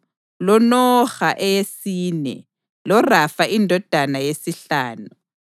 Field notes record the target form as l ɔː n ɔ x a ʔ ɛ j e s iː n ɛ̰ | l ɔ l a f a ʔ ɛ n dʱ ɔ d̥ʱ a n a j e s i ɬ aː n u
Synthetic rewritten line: l ɔ n ɔ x a ʔ ɛ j e s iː n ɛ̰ | l ɔ r a f a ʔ i n dʱ ɔ d̥ʱ a n a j e s i ɬ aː n u